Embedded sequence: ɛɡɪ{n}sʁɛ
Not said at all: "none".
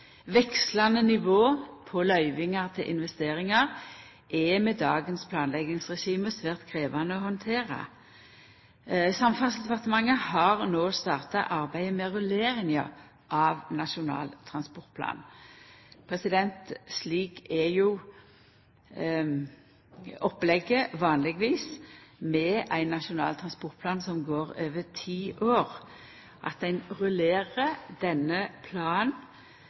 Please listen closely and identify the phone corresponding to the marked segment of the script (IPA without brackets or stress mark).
ŋ